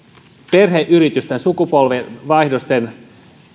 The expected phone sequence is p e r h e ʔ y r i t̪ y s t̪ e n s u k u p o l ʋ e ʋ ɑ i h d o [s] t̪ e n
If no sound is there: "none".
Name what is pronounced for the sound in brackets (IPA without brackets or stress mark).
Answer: s